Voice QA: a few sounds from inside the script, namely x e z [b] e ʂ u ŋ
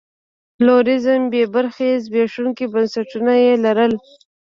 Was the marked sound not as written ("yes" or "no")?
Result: no